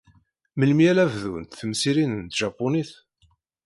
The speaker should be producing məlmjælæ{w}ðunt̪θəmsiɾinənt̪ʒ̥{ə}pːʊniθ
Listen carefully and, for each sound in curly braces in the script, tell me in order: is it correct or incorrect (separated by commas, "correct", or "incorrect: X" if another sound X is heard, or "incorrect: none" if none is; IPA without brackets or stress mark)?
incorrect: v, incorrect: ɑ